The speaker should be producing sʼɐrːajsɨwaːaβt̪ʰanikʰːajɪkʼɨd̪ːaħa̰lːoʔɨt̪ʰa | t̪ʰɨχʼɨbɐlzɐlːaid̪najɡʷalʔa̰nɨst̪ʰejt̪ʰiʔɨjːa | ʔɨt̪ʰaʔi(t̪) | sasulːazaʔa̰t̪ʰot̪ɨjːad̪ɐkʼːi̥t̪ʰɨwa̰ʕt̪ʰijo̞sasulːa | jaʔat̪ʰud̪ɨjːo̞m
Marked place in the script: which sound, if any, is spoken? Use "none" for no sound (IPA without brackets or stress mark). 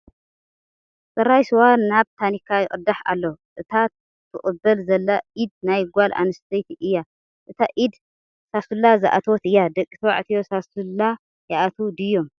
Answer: d̪